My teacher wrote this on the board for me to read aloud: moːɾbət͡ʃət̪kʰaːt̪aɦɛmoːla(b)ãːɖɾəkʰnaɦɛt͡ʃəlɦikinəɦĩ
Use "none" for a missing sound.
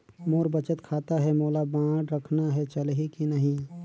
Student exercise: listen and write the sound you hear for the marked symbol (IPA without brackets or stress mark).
b